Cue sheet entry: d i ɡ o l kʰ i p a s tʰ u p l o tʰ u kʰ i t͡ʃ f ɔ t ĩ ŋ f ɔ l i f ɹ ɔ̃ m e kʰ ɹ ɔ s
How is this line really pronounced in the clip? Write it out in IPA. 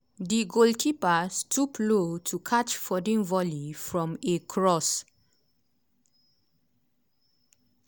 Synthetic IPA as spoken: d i ɡ o l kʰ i p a s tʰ u p l o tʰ u kʰ a t͡ʃ f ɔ d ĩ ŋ v ɔ l i f ɹ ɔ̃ m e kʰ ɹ ɔ s